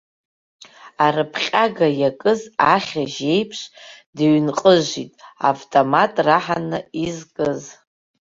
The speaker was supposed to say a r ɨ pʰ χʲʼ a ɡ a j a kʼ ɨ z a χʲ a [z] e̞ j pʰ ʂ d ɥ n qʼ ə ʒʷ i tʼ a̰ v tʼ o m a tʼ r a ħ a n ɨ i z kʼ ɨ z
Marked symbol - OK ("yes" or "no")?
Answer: no